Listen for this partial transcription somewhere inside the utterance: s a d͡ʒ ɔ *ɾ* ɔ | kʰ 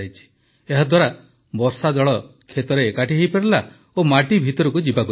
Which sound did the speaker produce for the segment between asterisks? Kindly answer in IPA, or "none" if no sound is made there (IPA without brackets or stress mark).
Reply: ɭ